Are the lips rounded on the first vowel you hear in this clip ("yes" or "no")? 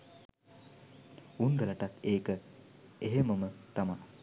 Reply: yes